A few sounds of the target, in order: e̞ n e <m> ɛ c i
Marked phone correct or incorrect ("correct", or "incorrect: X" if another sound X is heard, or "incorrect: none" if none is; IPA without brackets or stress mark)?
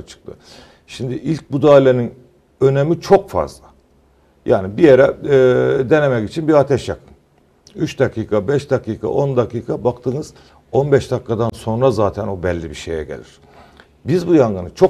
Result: correct